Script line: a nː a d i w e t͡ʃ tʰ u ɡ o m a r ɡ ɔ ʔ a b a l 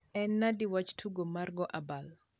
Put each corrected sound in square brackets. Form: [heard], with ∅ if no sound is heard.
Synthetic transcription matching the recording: [ɛ] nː a d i w [a] t͡ʃ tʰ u ɡ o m a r ɡ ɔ ʔ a b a l